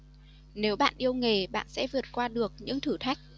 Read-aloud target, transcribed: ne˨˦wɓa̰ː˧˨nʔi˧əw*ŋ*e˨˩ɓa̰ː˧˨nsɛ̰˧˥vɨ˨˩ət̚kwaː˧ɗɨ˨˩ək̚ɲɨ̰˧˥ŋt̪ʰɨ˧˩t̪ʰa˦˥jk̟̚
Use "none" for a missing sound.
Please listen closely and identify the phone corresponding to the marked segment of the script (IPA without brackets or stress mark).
ŋ